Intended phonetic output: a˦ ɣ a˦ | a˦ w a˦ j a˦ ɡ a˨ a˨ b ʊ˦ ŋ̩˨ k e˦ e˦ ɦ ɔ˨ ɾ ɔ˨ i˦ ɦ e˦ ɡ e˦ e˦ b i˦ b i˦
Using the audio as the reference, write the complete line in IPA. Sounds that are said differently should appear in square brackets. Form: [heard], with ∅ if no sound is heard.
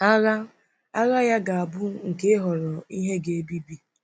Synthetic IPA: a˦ ɣ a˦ | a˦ [ɣ] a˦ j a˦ ɡ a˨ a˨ b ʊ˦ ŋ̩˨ k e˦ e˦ ɦ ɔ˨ ɾ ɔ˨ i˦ ɦ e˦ ɡ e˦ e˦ b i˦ b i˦